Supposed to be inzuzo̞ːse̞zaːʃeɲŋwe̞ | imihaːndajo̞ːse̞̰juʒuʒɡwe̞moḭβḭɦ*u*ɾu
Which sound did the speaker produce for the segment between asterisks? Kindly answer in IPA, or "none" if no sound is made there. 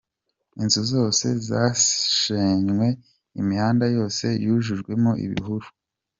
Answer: u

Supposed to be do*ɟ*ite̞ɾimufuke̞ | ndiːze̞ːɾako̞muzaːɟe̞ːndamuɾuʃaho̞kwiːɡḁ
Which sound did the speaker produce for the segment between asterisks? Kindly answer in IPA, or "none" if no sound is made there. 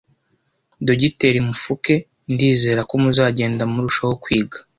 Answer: ɟ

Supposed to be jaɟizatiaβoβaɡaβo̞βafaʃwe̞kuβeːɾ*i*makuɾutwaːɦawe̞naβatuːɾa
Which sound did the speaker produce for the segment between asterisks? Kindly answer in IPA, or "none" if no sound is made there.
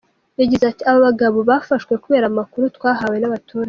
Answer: a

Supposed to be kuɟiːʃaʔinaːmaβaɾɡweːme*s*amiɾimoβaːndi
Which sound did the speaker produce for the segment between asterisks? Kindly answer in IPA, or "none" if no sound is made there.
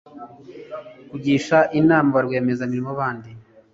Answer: z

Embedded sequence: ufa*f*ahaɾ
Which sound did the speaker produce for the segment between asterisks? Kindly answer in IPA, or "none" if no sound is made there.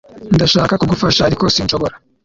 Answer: ʃ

